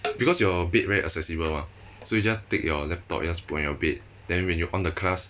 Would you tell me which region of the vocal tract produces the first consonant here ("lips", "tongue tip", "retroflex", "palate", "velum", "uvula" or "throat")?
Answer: lips